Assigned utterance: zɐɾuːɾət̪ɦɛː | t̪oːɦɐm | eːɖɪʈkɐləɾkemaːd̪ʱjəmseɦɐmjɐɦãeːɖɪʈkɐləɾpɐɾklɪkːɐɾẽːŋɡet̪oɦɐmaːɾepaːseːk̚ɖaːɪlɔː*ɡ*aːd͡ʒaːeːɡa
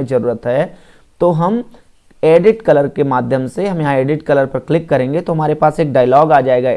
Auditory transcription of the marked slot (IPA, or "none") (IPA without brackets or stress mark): ɡ